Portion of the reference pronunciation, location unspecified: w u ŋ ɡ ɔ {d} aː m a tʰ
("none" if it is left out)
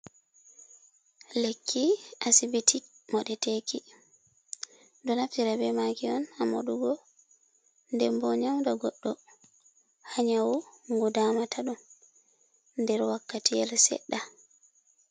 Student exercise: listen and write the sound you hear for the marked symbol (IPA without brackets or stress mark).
d